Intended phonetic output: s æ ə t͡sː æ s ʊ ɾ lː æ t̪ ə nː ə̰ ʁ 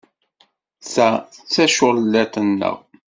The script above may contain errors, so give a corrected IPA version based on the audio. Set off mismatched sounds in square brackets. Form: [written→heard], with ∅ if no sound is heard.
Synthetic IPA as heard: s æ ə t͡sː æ [s→ʃ] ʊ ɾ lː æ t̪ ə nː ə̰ ʁ